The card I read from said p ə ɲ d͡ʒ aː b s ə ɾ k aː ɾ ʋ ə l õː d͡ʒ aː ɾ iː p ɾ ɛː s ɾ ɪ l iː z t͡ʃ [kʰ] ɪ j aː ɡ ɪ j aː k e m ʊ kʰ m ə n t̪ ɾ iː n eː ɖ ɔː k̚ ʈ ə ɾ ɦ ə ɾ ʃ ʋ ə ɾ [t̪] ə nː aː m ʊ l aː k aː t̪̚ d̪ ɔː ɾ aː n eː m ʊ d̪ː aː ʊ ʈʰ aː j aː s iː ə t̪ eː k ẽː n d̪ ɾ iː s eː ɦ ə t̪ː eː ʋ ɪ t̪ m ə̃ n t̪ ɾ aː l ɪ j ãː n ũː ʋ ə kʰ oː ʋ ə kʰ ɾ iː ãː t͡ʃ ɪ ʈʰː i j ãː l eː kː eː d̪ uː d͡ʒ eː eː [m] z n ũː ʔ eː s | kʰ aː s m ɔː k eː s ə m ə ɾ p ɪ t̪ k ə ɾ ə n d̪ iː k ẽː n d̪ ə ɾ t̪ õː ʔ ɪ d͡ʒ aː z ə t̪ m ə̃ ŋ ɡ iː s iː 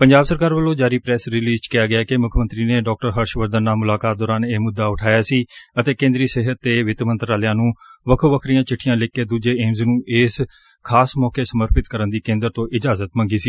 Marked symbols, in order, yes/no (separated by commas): no, no, yes